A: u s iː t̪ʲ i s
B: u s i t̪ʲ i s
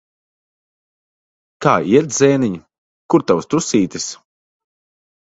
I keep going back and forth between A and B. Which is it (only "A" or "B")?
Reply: A